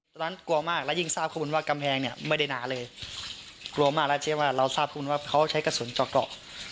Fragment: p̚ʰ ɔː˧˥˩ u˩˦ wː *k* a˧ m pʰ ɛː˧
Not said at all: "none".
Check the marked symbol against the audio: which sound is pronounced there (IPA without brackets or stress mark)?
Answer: k